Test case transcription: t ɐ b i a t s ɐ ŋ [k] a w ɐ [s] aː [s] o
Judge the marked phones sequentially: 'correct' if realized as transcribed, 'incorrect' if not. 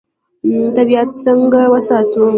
incorrect, correct, incorrect

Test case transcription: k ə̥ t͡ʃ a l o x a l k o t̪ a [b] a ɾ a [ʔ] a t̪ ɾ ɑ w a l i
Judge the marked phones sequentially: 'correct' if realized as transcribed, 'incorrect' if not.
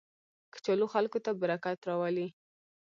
correct, incorrect

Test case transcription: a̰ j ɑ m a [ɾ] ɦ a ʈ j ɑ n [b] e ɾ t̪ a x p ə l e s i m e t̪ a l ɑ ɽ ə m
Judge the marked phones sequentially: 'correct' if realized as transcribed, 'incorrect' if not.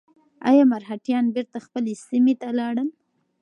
correct, correct

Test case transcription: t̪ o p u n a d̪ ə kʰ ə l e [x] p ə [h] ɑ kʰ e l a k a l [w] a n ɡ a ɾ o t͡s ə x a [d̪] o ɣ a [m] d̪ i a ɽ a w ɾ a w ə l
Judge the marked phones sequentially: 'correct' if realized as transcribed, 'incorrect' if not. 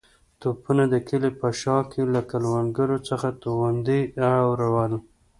incorrect, incorrect, correct, incorrect, incorrect

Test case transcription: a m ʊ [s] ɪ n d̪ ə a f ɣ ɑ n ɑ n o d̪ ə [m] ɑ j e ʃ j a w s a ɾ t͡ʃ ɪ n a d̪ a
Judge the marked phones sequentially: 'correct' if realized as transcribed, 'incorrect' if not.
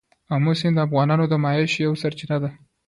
correct, correct

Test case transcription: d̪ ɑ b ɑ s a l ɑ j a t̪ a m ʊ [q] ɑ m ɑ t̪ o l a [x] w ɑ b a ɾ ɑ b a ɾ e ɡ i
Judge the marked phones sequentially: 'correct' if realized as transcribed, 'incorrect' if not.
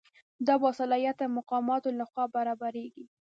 correct, correct

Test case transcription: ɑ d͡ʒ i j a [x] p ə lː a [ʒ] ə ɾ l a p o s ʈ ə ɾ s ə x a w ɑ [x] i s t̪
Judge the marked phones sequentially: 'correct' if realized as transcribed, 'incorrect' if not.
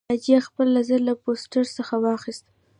correct, incorrect, correct

